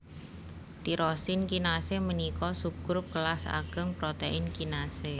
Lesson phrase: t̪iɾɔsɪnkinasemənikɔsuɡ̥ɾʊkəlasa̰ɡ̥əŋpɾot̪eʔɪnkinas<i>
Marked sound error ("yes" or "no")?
yes